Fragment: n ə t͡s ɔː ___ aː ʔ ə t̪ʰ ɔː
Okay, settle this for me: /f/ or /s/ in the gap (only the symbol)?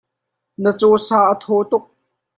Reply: s